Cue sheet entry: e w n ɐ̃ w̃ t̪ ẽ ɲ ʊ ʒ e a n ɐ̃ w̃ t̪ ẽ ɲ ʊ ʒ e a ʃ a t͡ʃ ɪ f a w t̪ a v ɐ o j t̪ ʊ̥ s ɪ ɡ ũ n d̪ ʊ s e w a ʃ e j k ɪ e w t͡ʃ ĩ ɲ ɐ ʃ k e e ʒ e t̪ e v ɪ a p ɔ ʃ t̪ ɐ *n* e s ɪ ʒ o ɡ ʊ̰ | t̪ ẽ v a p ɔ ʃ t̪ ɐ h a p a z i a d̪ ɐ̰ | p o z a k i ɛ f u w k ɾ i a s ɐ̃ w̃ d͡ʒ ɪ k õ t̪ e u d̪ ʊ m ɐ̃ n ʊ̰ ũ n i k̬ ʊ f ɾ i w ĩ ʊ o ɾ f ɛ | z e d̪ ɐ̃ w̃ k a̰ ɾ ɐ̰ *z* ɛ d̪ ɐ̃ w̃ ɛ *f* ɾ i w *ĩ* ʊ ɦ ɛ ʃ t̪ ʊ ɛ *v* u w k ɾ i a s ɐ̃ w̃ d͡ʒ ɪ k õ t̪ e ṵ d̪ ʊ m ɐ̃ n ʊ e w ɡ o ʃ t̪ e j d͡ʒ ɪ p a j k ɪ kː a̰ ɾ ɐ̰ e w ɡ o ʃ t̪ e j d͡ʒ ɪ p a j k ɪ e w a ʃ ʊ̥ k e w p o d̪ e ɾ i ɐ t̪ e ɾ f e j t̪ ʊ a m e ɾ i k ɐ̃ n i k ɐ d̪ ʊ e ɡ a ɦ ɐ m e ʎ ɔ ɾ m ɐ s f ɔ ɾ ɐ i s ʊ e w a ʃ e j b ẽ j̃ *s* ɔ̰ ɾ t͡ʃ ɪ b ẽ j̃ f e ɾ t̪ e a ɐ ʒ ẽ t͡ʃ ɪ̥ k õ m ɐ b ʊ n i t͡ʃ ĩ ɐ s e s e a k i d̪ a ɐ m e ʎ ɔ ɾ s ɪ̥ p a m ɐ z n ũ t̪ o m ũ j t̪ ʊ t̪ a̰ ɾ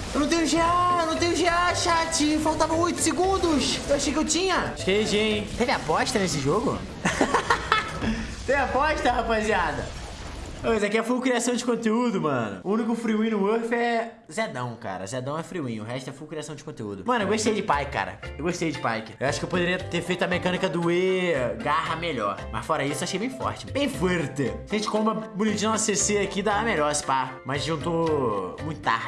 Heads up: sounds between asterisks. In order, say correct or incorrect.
correct, correct, correct, correct, incorrect, incorrect

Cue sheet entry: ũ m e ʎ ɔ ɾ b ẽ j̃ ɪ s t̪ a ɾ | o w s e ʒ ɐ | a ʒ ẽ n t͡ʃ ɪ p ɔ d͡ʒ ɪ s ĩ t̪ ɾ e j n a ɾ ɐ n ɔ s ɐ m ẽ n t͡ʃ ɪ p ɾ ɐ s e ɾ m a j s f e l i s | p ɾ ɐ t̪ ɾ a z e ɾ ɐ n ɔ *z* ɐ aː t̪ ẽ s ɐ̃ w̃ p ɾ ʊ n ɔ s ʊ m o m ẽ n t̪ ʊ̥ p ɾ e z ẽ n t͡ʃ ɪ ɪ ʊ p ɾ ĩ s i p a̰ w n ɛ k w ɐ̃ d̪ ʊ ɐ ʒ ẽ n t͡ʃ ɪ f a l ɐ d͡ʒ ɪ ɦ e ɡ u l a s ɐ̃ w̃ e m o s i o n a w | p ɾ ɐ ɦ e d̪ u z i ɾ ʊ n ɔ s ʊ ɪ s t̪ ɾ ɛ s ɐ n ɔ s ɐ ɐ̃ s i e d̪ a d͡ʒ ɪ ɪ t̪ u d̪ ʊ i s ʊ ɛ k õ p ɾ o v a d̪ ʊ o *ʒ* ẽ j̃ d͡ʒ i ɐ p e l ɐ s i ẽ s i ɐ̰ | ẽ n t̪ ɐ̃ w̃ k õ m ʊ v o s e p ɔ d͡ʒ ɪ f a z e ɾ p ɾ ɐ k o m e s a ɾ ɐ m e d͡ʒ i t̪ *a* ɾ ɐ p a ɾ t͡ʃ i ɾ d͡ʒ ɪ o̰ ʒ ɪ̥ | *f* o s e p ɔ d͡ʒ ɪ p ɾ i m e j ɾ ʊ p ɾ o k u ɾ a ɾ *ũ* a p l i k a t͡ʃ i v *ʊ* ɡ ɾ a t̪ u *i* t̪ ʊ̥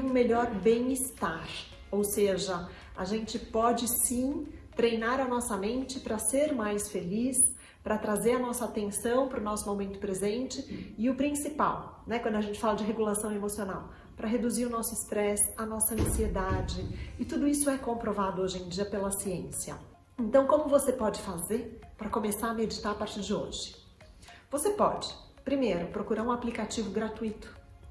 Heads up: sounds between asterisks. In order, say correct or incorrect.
incorrect, correct, correct, incorrect, correct, correct, correct

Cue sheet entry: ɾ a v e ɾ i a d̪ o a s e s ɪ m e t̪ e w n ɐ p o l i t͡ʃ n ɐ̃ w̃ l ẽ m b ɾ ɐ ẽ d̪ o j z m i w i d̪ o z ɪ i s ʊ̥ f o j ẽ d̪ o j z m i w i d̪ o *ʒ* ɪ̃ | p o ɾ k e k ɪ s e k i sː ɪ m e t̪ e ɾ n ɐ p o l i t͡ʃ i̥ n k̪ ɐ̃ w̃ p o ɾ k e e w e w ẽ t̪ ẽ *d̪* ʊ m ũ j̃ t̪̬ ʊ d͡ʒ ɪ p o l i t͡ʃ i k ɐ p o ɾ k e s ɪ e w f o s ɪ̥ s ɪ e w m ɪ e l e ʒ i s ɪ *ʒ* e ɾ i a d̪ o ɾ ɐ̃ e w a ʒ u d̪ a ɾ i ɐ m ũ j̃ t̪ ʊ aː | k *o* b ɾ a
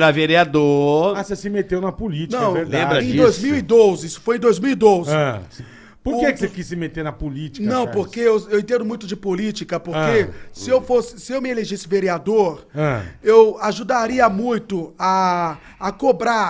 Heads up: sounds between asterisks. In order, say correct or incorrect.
incorrect, correct, incorrect, correct

